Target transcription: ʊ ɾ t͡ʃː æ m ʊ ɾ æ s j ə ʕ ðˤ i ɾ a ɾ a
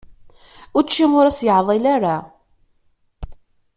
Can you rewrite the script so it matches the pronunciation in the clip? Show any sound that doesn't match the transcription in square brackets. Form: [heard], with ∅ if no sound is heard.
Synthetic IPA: ʊ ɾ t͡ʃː [i] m ʊ ɾ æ s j ə ʕ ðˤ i [l] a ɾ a